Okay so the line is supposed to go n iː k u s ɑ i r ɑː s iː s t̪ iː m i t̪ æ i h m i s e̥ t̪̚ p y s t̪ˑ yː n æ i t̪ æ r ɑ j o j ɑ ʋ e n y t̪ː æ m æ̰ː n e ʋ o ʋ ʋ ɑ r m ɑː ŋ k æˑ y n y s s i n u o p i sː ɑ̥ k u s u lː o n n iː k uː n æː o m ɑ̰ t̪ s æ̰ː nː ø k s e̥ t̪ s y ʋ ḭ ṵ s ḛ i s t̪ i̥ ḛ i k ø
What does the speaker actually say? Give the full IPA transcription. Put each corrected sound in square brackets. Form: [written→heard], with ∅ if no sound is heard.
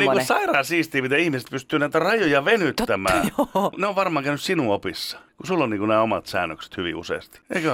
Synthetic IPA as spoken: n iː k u s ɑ i r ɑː s iː s t̪ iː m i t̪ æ i h m i s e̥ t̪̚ p y s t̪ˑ yː n æ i t̪ æ r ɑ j o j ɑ ʋ e n y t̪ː æ m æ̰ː n e [ʋ→∅] o ʋ ʋ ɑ r m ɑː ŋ k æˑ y n y s s i n u o p i sː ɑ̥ k u s u lː o n n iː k [uː→u] n æː o m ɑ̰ t̪ s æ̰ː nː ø k s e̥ t̪ [s→h] y ʋ ḭ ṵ s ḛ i s t̪ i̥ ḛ i k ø